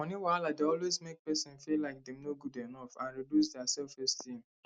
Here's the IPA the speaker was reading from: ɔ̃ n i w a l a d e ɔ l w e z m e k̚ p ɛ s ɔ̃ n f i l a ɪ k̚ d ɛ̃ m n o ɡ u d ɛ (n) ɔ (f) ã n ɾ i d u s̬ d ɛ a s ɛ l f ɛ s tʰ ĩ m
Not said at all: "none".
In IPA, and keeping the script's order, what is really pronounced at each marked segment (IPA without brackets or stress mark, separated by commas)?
n, f